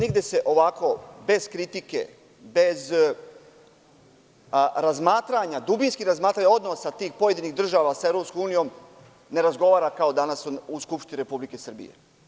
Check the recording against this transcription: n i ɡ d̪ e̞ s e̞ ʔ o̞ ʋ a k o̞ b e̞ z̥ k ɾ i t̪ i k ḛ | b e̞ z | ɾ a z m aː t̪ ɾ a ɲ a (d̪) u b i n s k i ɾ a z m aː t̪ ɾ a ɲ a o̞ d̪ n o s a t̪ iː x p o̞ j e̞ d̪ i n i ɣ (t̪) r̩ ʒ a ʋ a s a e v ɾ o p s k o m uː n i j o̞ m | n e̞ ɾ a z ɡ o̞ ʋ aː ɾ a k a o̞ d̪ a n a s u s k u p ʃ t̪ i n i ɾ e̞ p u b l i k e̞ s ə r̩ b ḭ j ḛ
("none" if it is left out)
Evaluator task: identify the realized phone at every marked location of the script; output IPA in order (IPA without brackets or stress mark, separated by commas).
d̪, d̪